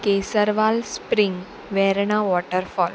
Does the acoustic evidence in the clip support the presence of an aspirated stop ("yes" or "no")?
no